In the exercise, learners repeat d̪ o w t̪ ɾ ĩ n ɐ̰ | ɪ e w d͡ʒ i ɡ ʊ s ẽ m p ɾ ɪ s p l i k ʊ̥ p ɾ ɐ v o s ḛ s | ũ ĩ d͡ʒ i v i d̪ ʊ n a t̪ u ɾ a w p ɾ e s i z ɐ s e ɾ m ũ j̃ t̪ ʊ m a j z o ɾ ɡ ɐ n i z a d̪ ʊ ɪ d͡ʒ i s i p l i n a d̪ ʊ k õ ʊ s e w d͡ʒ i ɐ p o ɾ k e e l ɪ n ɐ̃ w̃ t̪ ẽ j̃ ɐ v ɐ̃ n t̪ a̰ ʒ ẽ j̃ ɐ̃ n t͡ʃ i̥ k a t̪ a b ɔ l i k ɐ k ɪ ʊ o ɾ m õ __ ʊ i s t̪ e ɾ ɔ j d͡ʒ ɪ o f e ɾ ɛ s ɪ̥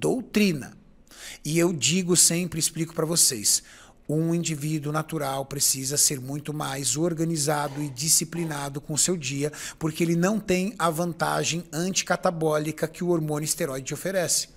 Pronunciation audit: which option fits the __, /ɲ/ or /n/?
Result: n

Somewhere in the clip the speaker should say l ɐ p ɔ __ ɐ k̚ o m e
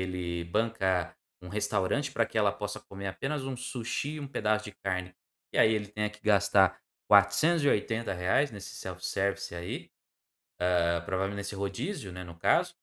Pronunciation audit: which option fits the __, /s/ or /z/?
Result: s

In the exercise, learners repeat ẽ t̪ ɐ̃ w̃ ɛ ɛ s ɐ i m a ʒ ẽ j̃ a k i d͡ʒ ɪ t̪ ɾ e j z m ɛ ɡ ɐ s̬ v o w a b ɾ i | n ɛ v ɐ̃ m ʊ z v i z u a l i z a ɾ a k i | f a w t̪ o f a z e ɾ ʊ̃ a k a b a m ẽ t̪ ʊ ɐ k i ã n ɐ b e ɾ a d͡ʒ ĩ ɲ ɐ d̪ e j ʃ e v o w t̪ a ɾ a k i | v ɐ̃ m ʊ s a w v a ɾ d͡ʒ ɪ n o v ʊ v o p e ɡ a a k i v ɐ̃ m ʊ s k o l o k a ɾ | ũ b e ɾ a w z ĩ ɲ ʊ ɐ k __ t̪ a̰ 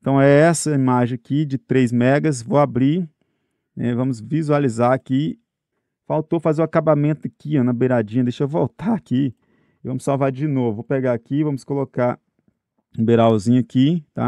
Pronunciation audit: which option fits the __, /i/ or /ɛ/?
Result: i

